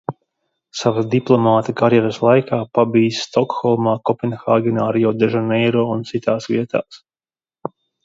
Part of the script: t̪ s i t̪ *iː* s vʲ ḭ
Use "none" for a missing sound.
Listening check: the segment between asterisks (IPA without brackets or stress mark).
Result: aː